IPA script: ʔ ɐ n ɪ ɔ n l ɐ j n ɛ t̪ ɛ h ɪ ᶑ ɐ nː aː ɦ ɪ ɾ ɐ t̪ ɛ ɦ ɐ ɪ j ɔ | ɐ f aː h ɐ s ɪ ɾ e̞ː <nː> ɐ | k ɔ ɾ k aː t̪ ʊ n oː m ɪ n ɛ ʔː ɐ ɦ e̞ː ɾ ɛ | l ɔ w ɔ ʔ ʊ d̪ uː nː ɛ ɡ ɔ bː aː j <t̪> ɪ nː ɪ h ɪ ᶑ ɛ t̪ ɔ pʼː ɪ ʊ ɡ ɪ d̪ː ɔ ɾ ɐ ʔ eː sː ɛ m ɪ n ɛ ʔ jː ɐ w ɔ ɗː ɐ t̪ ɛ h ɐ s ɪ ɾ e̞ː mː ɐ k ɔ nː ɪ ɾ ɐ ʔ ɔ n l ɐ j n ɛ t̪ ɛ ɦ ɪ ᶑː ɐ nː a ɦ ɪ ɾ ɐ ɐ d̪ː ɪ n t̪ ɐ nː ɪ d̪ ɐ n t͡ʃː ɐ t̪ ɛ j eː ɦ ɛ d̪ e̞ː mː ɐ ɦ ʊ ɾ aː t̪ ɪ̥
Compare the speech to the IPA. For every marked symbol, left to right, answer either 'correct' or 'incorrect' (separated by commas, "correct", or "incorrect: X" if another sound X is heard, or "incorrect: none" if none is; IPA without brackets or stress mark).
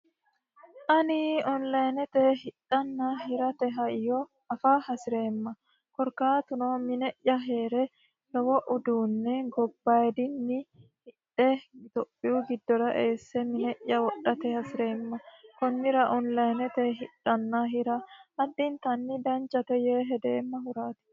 incorrect: mː, incorrect: d̪